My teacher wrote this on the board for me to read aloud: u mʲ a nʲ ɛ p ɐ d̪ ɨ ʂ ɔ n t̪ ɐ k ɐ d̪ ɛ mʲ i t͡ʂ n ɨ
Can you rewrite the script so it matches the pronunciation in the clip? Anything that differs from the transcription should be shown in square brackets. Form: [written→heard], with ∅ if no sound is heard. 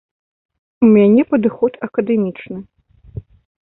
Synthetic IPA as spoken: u mʲ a nʲ ɛ p ɐ d̪ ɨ [ʂ→x] ɔ [n→∅] t̪ ɐ k ɐ d̪ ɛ mʲ i t͡ʂ n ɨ

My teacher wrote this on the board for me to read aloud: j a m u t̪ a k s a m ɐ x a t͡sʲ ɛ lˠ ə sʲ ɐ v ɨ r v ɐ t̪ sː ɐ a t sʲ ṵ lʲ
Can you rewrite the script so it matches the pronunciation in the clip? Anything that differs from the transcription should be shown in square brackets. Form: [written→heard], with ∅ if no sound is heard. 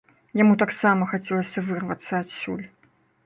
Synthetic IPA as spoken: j a m u t̪ a k s a m ɐ x a t͡sʲ ɛ lˠ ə sʲ ɐ v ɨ r v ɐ t̪ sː ɐ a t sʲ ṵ lʲ

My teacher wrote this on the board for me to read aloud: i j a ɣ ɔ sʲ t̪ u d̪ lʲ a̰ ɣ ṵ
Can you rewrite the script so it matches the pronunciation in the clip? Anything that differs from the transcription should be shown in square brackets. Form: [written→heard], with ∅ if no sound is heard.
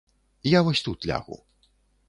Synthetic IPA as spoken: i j a [ɣ→v] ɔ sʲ t̪ u [d̪→t̪] lʲ a̰ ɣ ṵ

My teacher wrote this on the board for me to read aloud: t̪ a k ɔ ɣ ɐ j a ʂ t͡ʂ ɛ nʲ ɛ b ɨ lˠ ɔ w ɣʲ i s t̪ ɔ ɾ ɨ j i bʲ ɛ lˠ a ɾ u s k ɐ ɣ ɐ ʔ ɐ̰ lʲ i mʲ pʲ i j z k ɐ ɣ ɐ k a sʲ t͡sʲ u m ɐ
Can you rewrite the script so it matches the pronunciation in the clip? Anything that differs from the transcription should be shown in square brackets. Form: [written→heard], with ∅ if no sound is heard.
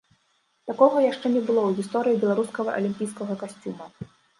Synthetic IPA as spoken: t̪ a k ɔ ɣ ɐ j a ʂ t͡ʂ ɛ nʲ ɛ b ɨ lˠ ɔ w ɣʲ i s t̪ ɔ ɾ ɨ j i bʲ ɛ lˠ a ɾ u s k ɐ ɣ ɐ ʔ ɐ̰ lʲ i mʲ pʲ i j [z→s] k ɐ ɣ ɐ k a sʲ t͡sʲ u m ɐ

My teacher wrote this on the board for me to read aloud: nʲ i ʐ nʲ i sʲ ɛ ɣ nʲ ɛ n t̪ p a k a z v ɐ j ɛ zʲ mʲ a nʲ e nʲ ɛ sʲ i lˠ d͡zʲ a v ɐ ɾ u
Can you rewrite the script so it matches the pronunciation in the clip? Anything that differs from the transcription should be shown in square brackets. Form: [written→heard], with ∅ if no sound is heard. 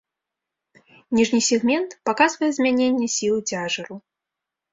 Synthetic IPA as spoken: nʲ i ʐ nʲ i sʲ ɛ ɣ [nʲ→mʲ] ɛ n t̪ p a k a z v ɐ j ɛ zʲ mʲ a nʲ e [nʲ→nʲː] ɛ sʲ i lˠ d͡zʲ a [v→ʐ] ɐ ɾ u

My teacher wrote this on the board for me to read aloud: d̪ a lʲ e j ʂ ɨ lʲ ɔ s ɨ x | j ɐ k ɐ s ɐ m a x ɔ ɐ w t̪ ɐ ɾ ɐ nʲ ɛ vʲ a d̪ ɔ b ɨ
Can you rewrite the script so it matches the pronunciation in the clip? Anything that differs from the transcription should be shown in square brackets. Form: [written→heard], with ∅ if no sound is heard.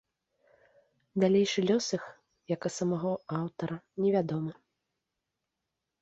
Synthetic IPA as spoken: d̪ a lʲ e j ʂ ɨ lʲ ɔ s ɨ x | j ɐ k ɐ s ɐ m a [x→ɣ] ɔ [ɐ→a] w t̪ ɐ ɾ ɐ nʲ ɛ vʲ a d̪ ɔ [b→m] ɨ

